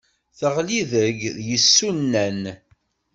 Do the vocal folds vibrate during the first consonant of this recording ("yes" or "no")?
no